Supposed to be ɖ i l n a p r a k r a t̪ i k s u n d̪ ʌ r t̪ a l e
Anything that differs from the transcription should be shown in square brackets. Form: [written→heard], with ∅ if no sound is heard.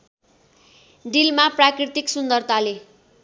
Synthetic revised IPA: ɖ i l [n→m] a p r a k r [a→i] t̪ i k s u n d̪ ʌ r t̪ a l e